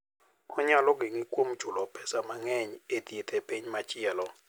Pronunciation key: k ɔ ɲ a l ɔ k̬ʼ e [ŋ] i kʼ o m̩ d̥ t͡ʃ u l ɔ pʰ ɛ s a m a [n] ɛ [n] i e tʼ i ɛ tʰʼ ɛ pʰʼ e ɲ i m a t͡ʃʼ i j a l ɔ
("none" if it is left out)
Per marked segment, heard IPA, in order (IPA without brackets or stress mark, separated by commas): ŋ, ŋ, ɲ